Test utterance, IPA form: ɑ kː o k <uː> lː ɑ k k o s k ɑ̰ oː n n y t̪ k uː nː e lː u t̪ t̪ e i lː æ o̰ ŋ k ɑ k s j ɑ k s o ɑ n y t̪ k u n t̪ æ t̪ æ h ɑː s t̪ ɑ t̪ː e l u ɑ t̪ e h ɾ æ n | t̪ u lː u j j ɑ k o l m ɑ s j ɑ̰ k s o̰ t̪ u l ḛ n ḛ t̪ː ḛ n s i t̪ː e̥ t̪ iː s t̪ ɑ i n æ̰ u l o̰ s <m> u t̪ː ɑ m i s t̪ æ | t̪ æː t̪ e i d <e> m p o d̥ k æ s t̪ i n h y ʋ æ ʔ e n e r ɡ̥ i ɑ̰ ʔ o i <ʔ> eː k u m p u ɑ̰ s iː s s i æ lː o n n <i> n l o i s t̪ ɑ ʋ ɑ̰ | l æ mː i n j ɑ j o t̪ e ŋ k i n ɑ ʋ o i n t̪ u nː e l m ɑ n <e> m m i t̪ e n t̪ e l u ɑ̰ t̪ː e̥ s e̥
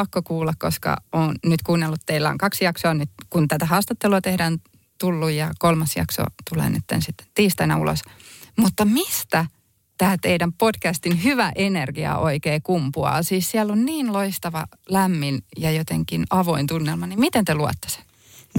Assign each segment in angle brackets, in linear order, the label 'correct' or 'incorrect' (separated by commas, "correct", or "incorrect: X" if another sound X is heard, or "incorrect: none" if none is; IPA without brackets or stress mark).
correct, correct, incorrect: æ, incorrect: k, incorrect: iː, incorrect: i